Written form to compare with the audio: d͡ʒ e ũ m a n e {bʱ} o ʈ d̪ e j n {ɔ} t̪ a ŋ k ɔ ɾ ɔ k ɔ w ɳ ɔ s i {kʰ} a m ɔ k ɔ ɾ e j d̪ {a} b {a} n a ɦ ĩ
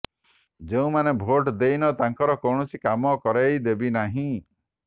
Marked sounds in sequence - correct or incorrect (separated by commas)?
correct, correct, incorrect, incorrect, incorrect